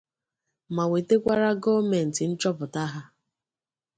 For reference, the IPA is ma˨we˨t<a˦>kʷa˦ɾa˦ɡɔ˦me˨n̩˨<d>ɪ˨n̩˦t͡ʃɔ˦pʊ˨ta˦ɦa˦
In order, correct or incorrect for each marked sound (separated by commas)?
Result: incorrect, incorrect